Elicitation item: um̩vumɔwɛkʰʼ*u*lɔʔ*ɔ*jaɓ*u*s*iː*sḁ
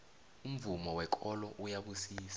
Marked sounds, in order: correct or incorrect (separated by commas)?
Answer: incorrect, incorrect, correct, correct